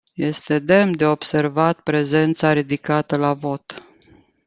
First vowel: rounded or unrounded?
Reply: unrounded